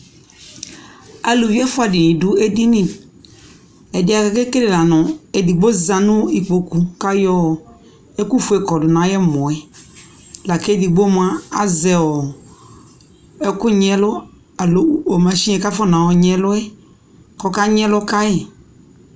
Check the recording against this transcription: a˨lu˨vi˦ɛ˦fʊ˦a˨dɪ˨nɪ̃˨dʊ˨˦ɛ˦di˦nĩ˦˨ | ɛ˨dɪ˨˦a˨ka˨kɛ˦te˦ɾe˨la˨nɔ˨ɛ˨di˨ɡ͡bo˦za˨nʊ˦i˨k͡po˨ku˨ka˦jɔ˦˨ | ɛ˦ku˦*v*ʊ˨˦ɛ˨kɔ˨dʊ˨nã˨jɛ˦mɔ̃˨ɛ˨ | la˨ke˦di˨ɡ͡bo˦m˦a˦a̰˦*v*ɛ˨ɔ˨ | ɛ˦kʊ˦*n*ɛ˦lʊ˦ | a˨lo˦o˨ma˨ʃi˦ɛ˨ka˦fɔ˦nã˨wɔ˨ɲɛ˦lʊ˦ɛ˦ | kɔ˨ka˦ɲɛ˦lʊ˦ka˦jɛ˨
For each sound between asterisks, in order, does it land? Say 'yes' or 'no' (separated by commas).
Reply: no, no, no